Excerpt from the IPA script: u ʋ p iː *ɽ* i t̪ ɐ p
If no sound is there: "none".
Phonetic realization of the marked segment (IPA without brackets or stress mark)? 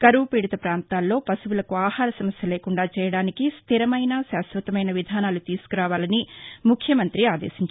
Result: ɽ